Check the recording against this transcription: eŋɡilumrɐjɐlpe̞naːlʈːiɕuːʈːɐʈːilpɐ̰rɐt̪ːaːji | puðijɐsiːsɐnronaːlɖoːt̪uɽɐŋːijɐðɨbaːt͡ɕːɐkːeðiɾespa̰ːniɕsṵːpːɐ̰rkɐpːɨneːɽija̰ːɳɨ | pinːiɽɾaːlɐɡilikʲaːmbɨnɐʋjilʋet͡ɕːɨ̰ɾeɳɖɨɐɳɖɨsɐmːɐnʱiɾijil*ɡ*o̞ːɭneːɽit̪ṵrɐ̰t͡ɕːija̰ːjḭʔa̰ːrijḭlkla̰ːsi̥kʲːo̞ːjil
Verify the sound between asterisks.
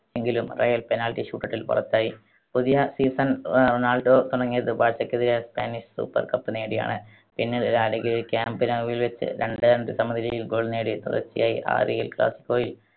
correct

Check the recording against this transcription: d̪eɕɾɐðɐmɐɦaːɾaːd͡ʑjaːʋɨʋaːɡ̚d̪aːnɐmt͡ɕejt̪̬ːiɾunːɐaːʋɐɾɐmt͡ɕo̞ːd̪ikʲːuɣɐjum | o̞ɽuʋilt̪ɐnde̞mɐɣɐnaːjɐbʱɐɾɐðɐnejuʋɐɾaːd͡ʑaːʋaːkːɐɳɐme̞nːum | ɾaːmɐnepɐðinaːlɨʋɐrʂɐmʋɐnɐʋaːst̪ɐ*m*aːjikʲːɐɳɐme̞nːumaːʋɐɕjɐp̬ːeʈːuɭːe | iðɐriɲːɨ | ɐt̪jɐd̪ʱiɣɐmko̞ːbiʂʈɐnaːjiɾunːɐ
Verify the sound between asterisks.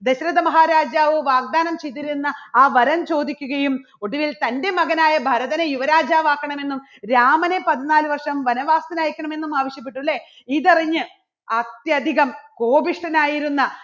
incorrect: n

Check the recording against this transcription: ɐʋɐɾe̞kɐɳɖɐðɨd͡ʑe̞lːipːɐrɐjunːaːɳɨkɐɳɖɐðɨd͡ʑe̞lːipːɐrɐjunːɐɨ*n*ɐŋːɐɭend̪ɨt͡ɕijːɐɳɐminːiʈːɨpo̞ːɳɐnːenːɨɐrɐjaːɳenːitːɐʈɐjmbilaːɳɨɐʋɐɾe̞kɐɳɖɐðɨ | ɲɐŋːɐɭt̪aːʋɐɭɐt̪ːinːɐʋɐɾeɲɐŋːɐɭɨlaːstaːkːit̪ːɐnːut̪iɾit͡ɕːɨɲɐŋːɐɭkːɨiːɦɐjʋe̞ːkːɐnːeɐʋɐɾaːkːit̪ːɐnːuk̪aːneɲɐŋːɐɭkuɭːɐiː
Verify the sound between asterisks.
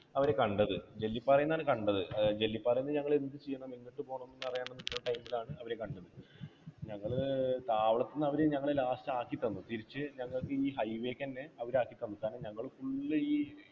incorrect: ɲ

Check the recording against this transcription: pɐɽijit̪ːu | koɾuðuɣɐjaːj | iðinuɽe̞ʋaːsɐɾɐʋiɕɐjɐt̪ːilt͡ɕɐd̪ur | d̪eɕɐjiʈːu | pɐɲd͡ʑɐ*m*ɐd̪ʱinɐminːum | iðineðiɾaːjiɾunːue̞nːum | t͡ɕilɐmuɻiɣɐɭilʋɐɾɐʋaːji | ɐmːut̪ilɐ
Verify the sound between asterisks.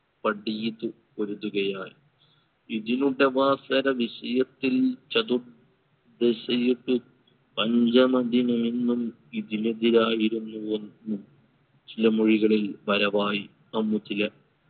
correct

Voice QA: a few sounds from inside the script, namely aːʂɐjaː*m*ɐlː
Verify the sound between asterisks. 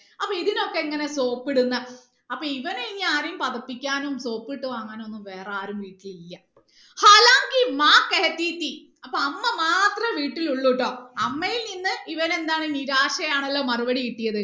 incorrect: ɳ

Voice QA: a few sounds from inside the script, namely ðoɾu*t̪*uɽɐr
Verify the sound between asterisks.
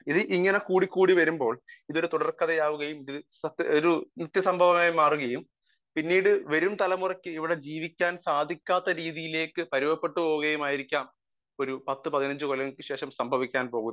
correct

